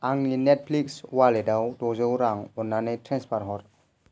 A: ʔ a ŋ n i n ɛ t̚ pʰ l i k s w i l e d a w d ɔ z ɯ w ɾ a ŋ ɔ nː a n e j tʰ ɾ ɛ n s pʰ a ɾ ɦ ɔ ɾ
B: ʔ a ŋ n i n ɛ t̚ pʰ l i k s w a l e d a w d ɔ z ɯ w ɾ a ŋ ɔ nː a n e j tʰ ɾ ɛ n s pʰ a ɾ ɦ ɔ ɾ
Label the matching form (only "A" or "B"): B